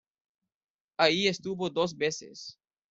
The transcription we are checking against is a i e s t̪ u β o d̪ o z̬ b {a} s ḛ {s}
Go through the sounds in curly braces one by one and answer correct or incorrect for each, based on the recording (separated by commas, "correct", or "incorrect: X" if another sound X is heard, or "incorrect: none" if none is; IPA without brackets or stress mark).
incorrect: e, correct